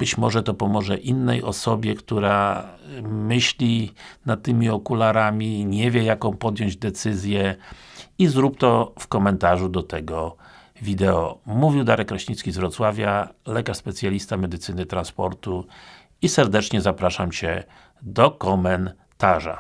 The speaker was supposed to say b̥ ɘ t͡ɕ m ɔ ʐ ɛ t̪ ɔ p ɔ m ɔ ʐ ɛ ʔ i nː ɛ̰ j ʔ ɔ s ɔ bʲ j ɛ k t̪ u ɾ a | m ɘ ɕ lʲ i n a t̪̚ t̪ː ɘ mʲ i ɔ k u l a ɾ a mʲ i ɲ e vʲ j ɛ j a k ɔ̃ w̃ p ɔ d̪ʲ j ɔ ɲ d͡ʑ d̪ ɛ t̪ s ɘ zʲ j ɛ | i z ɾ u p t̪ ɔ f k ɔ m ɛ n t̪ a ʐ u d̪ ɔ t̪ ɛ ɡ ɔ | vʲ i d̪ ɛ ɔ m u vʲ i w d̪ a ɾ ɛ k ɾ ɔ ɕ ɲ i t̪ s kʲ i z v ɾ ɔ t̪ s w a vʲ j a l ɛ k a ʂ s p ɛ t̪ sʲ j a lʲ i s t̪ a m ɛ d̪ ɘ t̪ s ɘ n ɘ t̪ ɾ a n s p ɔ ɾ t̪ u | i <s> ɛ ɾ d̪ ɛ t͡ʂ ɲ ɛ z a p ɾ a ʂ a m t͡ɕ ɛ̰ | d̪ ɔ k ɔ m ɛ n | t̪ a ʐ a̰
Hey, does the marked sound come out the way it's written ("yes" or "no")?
yes